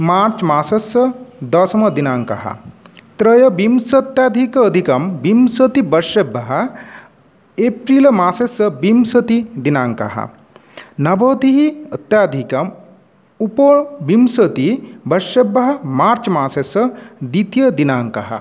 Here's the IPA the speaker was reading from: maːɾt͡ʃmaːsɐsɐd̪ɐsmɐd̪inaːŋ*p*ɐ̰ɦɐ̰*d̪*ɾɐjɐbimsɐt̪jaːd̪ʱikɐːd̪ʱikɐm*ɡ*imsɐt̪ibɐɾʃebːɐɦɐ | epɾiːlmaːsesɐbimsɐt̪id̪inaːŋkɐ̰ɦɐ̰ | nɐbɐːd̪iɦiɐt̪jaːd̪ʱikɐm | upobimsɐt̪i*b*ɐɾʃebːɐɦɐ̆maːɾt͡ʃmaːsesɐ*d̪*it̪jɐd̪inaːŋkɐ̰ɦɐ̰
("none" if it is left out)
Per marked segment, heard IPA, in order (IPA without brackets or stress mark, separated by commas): k, t̪, b, b, d̪